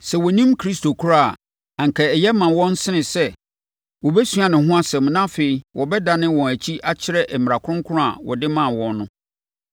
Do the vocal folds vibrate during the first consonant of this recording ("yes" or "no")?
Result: no